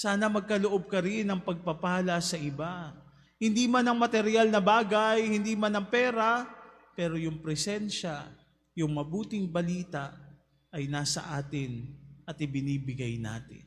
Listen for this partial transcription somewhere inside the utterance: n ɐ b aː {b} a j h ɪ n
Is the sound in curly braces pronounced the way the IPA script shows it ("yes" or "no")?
no